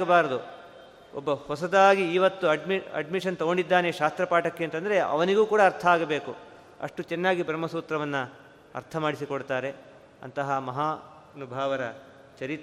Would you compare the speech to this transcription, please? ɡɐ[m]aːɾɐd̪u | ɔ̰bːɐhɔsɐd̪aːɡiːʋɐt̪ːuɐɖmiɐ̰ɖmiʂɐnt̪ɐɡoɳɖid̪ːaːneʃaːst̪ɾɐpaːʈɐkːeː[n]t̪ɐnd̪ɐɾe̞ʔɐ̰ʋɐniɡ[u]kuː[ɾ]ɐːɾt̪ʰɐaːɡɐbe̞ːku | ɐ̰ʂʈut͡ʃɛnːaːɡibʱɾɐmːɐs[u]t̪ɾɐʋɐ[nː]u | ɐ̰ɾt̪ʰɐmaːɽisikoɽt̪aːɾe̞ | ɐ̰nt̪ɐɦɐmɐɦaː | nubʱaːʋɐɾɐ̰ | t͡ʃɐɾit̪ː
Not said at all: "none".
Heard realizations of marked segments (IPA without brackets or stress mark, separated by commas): b, n, uː, ɽ, uː, nː